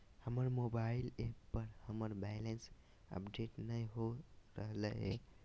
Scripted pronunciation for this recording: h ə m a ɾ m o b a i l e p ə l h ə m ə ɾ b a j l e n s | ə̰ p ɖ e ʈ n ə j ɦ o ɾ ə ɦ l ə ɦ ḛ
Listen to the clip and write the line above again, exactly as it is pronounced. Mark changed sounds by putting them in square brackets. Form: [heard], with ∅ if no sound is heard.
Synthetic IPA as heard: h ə m [ə] ɾ m o b a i l e p ə [ɾ] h ə m ə ɾ b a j l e n s | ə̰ p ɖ e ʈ n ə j ɦ o ɾ ə ɦ l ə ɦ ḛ